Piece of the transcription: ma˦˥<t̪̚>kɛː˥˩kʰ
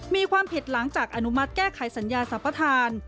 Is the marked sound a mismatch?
no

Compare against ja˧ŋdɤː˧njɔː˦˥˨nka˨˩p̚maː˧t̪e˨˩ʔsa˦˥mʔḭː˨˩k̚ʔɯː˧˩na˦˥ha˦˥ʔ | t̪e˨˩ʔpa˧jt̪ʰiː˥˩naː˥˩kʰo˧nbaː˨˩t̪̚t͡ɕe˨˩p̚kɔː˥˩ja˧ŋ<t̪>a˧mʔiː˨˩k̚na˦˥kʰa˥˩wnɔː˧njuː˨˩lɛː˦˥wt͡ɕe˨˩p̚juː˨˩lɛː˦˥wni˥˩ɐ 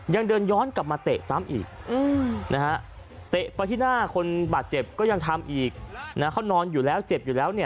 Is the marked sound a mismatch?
yes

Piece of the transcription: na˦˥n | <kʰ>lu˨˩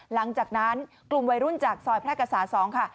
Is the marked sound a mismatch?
yes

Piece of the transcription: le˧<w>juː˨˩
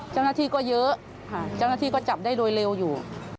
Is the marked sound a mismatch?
no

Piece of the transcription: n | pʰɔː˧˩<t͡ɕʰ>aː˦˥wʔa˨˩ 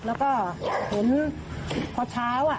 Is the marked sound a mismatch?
no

